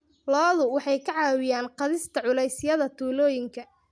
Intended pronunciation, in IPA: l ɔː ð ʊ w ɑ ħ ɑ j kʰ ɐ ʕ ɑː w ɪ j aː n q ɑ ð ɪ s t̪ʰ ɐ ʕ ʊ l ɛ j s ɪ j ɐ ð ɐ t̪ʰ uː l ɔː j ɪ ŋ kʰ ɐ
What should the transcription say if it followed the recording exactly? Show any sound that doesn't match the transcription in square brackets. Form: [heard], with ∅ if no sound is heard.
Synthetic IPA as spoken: l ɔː ð ʊ w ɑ ħ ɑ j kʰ ɐ ʕ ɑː w ɪ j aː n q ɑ ð ɪ s t̪ʰ ɐ ʕ ʊ l ɛ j s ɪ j ɐ ð ɐ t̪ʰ uː l ɔː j ɪ ŋ kʰ ɐ